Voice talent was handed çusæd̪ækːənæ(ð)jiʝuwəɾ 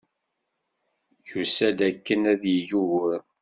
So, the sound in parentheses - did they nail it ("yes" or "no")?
yes